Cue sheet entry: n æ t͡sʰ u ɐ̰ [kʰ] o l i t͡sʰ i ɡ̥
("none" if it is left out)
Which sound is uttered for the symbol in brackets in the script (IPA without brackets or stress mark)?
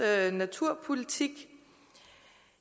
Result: pʰ